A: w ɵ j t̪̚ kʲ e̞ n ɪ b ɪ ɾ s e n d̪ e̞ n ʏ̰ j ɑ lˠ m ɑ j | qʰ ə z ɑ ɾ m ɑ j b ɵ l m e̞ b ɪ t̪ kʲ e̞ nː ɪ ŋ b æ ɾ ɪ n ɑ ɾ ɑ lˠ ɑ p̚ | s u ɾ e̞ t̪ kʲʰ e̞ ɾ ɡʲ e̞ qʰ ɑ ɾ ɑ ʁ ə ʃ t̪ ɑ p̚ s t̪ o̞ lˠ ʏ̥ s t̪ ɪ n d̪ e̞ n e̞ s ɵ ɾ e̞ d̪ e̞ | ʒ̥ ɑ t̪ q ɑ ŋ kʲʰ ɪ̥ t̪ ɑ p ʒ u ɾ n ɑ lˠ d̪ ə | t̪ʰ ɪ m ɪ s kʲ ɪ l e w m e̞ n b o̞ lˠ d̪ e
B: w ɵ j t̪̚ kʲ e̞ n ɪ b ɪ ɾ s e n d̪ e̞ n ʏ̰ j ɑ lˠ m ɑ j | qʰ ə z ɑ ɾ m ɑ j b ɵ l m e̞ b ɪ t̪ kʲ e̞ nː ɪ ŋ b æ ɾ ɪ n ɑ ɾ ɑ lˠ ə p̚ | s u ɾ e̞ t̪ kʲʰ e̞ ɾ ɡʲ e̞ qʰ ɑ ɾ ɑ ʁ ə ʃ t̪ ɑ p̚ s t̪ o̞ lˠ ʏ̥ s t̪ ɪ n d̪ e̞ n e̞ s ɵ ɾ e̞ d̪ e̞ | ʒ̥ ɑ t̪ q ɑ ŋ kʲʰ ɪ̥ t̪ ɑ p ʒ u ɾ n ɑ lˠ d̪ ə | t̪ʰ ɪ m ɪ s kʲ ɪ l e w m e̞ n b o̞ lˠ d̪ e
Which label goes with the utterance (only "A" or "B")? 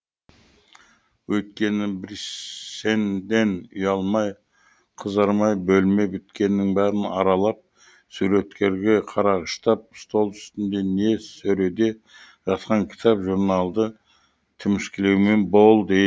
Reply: A